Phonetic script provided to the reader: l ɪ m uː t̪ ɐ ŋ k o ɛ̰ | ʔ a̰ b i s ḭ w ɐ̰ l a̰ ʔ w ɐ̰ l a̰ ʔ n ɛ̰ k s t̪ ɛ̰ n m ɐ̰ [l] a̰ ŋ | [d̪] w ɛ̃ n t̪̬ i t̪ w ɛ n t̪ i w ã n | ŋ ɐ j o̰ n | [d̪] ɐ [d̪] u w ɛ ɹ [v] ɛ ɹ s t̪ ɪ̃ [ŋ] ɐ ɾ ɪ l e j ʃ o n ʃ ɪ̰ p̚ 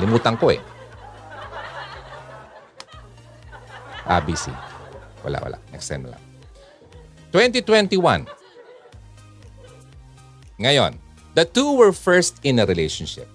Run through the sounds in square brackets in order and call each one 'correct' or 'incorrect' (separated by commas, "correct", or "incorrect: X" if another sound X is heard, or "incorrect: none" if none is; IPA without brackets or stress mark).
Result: correct, incorrect: t̪, correct, incorrect: t̪, incorrect: f, incorrect: n